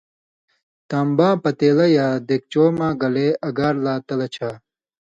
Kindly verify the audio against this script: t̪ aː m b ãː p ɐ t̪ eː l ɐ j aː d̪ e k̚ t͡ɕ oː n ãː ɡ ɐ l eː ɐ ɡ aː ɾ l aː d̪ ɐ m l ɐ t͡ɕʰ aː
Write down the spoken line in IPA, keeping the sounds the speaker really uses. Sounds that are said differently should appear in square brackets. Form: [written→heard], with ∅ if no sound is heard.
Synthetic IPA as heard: t̪ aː m b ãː p ɐ t̪ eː l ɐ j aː d̪ e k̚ t͡ɕ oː [n→m] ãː ɡ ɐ l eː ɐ ɡ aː ɾ l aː [d̪→t̪] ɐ [m→∅] l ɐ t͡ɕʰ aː

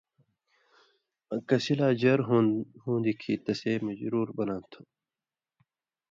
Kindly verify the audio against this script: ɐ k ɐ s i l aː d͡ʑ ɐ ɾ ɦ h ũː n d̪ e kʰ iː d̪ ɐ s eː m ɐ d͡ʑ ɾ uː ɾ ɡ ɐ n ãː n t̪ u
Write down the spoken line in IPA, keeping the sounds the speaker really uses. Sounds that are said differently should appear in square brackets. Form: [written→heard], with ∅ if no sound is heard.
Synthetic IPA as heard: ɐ k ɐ s i l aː d͡ʑ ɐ ɾ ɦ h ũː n d̪ [e→i] kʰ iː [d̪→t̪] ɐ s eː m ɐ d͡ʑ ɾ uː ɾ [ɡ→b] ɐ n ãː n [t̪→t̪ʰ] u

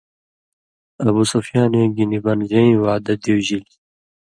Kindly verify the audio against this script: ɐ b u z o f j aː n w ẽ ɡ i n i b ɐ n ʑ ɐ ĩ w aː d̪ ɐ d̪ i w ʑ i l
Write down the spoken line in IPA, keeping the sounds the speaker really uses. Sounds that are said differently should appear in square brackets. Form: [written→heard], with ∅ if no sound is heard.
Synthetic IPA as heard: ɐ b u [z→s] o f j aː n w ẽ ɡ i n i b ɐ n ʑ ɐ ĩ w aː d̪ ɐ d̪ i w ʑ i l

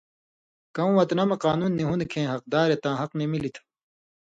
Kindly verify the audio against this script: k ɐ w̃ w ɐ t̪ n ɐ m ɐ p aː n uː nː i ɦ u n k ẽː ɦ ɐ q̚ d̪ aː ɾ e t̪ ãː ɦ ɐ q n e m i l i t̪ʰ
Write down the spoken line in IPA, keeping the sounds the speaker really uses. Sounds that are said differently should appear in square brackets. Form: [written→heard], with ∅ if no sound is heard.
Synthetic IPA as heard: k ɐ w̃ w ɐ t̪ n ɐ m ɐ [p→q] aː n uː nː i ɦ u n [k→kʰ] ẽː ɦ ɐ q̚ d̪ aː ɾ e t̪ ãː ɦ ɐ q n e m i l i t̪ʰ

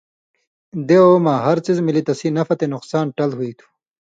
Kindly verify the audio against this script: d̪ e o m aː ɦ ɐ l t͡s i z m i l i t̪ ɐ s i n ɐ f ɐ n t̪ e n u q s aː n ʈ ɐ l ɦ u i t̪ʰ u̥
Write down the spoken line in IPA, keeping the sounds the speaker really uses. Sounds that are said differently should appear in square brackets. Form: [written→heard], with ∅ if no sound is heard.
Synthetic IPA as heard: d̪ e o m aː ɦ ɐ [l→ɾ] t͡s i z m i l i t̪ ɐ s i n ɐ f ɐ [n→∅] t̪ e n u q s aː n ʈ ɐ l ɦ u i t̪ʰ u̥

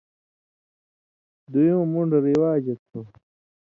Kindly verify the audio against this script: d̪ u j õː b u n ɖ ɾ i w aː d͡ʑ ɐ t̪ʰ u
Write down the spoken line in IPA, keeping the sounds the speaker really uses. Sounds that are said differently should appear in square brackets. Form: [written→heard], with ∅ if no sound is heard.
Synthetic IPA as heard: d̪ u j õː [b→m] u [n→ɳ] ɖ ɾ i w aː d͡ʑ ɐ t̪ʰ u

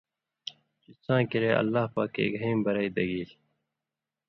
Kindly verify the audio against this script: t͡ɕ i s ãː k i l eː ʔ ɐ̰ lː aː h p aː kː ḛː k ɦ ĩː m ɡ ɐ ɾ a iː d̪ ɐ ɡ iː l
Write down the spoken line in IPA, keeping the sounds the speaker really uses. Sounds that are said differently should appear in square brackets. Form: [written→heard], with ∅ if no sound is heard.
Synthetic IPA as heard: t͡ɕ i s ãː k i [l→ɾ] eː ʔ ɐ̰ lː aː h p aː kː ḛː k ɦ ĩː m [ɡ→b] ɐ ɾ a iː d̪ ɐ ɡ iː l

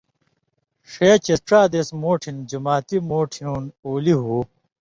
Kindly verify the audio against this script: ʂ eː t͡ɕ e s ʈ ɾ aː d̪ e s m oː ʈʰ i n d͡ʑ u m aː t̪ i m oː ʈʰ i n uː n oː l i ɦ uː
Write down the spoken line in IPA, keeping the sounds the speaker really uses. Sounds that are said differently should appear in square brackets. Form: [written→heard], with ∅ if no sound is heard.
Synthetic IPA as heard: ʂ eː t͡ɕ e s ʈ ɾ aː d̪ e s m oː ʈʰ i n d͡ʑ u m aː t̪ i m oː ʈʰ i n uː n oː l i ɦ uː

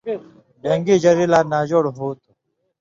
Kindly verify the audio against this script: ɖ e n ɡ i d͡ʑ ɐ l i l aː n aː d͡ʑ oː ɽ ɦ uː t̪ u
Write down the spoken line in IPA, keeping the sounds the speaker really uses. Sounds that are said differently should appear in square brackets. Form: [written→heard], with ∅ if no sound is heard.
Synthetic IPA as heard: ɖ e [n→ŋ] ɡ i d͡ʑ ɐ [l→ɾ] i l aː n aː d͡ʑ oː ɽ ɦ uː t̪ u

